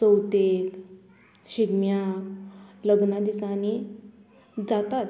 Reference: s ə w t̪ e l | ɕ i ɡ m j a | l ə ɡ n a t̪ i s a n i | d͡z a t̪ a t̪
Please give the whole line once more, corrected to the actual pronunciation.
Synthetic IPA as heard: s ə w t̪ e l | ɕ i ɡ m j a | l ə ɡ n a d̪ i s a n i | d͡z a t̪ a t̪